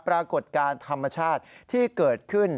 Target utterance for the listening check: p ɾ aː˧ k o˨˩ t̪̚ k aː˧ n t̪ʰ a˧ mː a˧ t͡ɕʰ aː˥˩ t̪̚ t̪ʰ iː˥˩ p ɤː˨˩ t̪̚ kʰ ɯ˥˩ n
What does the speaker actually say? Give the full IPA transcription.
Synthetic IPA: p ɾ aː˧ k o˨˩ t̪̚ k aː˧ n t̪ʰ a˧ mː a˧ t͡ɕʰ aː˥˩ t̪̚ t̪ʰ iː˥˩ k ɤː˨˩ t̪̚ kʰ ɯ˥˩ n